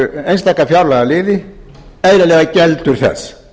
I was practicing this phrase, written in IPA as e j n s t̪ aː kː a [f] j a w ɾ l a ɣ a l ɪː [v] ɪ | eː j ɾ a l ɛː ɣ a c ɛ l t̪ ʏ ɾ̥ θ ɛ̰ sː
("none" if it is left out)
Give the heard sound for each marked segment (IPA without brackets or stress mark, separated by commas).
f, ð